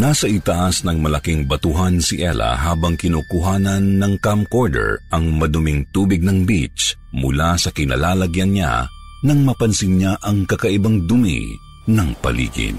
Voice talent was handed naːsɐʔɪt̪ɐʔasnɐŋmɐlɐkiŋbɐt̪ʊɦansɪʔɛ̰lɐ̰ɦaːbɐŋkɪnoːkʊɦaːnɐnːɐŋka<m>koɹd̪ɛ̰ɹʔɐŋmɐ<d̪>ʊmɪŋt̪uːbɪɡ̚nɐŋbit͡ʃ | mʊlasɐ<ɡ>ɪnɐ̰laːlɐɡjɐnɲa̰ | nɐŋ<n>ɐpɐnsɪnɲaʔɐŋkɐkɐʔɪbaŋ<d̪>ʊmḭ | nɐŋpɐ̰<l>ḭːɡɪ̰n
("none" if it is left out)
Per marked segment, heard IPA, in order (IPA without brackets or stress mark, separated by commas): m, d̪, k, m, d̪, l